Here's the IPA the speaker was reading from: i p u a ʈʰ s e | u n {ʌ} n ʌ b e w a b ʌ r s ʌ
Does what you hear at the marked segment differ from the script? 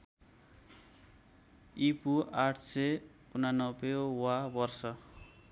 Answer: yes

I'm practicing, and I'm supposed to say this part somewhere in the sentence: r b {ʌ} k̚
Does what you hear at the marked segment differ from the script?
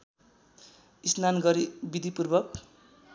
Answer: no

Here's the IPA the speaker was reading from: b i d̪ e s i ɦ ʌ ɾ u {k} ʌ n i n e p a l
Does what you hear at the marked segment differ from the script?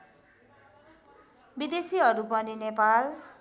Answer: yes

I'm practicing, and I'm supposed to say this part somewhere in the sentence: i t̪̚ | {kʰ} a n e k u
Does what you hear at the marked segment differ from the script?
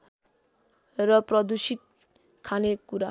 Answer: no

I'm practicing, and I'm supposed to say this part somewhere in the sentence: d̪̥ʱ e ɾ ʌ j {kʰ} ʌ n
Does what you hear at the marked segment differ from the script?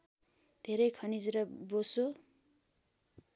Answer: no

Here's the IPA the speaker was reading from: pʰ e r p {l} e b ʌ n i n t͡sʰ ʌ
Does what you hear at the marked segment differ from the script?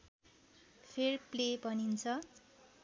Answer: no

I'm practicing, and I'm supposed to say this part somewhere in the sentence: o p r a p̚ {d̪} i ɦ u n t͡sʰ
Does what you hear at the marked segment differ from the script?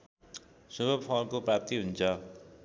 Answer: yes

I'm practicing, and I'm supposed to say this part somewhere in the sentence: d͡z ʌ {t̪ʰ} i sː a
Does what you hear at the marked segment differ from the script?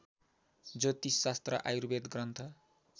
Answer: yes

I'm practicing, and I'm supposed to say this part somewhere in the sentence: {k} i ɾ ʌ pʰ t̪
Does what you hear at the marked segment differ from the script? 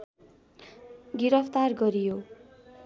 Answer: yes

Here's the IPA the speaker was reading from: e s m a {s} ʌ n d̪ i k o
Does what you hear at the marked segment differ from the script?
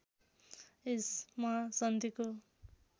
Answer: no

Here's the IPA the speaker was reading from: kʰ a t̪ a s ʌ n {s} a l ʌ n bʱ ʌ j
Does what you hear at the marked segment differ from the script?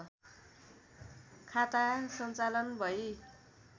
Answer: yes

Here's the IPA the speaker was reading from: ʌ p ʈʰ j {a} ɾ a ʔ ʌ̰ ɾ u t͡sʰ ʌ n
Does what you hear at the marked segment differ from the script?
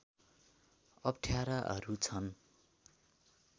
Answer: no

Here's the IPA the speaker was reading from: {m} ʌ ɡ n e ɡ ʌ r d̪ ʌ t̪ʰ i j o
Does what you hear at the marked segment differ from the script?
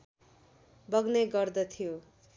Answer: yes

